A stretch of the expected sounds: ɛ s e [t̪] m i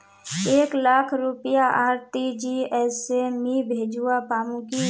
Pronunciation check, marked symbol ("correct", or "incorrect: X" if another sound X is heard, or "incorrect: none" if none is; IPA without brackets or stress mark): incorrect: none